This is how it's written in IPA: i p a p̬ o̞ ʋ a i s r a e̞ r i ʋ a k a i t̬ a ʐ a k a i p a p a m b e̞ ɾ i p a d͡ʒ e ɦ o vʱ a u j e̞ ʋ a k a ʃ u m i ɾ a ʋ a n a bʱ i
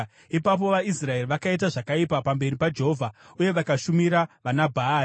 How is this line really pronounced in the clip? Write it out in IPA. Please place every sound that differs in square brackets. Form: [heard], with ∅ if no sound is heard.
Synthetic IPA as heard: i p a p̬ o̞ ʋ a i s r a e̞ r i ʋ a k a i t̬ a ʐ a k a i p a p a m b e̞ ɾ i p a d͡ʒ e ɦ o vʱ a u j e̞ ʋ a k a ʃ u m i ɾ a ʋ a n a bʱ [a]